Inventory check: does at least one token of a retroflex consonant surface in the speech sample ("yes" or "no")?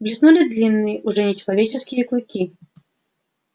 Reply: yes